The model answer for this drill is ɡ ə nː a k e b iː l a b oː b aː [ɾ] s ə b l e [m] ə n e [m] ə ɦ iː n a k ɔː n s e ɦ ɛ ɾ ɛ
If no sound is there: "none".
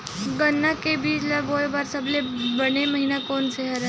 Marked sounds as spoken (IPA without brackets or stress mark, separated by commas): ɾ, b, m